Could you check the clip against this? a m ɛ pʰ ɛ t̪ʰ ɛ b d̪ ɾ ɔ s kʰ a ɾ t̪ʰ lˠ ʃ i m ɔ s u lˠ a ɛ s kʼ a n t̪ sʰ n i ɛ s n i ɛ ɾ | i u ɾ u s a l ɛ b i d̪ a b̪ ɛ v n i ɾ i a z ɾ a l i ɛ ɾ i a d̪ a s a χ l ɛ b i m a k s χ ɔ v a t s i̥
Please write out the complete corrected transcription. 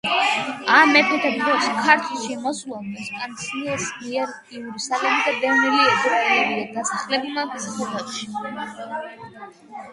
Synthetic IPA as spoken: a m ɛ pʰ ɛ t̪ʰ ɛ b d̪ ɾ ɔ s kʰ a ɾ t̪ʰ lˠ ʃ i m ɔ s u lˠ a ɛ s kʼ a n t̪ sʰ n i ɛ s m i ɛ ɾ | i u ɾ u s a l ɛ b i d̪ a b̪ ɛ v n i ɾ i ɛ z ɾ a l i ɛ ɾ i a d̪ a s a χ l ɛ b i m a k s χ ɔ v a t ʃ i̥